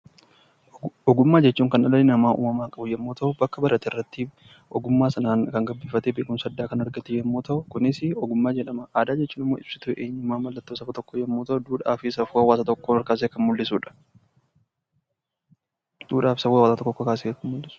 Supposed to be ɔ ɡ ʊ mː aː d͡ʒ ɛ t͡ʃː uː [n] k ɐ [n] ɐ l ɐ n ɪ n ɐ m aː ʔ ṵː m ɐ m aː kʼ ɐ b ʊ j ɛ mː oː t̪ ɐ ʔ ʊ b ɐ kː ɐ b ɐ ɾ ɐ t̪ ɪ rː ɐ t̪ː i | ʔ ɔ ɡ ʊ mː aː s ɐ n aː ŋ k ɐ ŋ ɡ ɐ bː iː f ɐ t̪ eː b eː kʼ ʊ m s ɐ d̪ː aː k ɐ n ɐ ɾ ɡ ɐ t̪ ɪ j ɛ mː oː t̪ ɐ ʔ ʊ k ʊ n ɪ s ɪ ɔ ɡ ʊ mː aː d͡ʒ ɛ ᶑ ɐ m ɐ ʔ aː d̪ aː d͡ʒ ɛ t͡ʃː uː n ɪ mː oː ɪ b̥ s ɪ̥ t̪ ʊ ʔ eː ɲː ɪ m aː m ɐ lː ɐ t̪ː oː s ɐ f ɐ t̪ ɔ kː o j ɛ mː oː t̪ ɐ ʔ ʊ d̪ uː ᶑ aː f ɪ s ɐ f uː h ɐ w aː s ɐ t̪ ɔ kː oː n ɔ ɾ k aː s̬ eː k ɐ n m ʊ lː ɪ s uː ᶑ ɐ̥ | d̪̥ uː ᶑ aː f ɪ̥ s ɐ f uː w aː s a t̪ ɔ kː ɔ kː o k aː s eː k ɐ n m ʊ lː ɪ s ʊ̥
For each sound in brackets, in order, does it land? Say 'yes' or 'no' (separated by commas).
no, yes